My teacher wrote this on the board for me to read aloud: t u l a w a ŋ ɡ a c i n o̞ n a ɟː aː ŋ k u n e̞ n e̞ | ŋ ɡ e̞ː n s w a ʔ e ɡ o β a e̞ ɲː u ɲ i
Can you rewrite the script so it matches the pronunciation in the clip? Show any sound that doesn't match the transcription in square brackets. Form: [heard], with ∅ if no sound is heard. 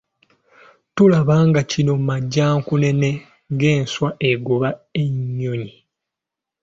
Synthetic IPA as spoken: t u l a [β] a ŋ ɡ a c i n o̞ [m] a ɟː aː ŋ k u n e̞ n e̞ | ŋ ɡ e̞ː n s w a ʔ e ɡ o β a e̞ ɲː [o] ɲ i